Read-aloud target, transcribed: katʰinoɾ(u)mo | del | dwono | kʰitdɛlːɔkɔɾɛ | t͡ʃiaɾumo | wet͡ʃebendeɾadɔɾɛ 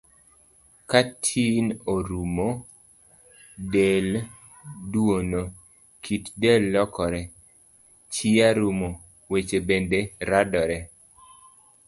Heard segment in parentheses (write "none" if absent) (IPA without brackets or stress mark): u